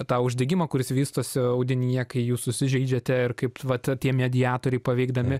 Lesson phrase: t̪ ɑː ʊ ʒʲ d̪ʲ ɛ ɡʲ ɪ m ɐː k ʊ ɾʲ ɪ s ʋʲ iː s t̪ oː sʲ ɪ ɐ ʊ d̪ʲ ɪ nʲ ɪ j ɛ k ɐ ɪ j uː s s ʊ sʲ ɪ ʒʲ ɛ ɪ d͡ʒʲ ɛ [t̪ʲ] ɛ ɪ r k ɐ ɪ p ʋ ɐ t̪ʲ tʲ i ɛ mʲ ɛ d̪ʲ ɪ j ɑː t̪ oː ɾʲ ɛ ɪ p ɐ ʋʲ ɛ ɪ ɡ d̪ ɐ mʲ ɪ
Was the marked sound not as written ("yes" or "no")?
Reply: no